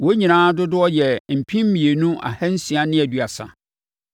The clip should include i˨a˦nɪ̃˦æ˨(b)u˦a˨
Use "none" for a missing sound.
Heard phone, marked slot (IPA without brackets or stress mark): d